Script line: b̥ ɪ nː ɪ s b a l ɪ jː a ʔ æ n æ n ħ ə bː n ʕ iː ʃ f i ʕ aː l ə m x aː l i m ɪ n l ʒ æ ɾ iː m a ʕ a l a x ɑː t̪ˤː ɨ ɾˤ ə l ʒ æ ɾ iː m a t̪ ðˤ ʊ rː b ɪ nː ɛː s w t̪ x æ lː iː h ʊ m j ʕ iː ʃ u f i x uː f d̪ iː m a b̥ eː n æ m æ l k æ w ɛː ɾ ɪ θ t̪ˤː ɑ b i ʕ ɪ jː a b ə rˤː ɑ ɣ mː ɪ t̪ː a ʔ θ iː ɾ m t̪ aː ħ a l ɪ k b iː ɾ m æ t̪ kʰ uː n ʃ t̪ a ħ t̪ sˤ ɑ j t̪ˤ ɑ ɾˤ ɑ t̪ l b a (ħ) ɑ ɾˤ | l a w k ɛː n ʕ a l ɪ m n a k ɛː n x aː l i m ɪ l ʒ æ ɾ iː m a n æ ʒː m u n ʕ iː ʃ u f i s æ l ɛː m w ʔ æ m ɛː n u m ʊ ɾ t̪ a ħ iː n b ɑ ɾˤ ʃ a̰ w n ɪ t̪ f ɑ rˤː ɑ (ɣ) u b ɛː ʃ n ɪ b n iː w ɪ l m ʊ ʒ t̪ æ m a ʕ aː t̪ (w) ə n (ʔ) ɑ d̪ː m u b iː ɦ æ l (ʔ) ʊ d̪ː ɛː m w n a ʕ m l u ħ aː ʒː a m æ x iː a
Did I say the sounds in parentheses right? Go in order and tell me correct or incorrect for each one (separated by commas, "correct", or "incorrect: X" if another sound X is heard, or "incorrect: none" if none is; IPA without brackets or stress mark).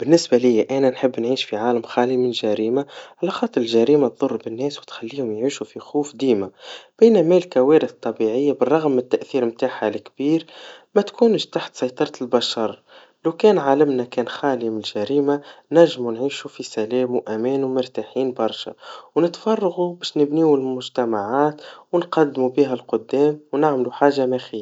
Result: incorrect: ʃ, correct, correct, incorrect: q, incorrect: q